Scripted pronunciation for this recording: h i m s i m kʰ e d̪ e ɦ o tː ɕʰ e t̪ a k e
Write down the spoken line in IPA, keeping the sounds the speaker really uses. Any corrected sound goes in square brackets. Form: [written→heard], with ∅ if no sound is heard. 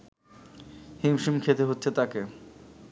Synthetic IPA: h i m [s→ʃ] i m kʰ e [d̪→t̪] e ɦ o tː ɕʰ e t̪ a k e